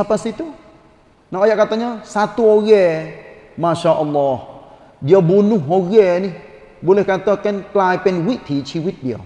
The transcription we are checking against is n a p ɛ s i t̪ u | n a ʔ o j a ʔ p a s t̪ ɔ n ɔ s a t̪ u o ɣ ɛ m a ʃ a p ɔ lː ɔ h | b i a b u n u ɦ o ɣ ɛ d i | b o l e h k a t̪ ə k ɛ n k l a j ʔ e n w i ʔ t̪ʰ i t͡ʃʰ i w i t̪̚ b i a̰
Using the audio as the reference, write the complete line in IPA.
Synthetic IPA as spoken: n a p a s i t̪ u | n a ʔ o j a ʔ k a t̪ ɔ ɲ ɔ s a t̪ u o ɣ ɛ m a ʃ a ʔ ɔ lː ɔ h | b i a b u n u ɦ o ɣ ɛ n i | b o l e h k a t̪ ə k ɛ n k l a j p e n w i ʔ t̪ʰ i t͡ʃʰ i w i t̪̚ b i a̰